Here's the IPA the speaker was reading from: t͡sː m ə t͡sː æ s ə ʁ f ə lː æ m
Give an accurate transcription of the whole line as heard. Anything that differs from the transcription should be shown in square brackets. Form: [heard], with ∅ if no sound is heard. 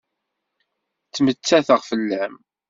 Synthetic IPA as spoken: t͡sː m ə t͡sː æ [θ] ə ʁ f ə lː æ m